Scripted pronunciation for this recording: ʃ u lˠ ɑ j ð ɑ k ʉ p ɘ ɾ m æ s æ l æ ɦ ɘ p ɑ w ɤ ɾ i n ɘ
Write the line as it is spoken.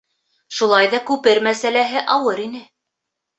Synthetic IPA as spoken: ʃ u lˠ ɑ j ð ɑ k ʉ p ɘ ɾ m æ s æ l æ ɦ ɘ ʔ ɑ w ɤ ɾ i n ɘ